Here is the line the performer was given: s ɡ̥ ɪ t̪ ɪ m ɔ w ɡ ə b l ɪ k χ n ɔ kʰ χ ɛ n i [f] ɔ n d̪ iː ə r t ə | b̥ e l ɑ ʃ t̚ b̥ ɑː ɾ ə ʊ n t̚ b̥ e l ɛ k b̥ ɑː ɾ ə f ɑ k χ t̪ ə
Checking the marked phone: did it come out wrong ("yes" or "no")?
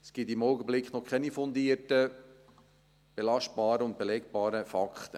no